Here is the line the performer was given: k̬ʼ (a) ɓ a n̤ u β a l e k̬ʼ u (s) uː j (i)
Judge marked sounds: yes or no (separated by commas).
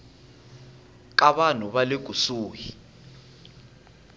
yes, yes, yes